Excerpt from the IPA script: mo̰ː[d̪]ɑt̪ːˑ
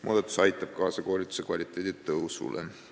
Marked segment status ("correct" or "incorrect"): correct